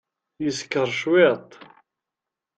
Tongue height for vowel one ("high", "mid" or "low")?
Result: mid